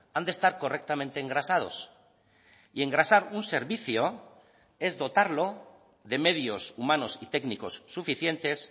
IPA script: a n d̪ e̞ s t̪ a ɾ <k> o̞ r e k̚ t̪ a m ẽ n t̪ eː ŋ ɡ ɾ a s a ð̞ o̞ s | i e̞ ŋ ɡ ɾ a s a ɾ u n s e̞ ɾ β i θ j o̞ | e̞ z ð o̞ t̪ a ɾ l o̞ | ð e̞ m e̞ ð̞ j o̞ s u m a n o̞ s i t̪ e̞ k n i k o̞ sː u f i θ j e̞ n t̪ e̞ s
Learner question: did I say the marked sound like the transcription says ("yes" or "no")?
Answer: yes